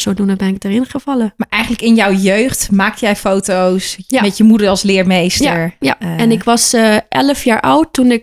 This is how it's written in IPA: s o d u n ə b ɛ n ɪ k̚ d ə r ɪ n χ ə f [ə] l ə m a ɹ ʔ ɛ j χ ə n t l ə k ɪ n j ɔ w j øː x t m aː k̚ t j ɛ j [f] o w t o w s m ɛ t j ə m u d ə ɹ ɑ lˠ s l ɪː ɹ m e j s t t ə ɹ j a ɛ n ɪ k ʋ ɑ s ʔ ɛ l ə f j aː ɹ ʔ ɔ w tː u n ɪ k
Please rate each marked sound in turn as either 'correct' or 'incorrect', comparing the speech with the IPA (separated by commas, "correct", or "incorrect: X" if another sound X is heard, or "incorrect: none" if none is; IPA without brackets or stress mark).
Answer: incorrect: ɑ, correct